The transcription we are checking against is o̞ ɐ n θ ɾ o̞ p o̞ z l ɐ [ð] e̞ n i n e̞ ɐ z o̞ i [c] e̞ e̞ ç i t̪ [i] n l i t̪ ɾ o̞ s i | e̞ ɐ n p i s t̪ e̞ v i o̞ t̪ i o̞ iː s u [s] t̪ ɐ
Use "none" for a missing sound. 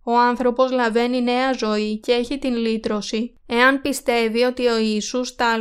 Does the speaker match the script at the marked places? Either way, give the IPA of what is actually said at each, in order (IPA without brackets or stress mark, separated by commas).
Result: v, c, i, s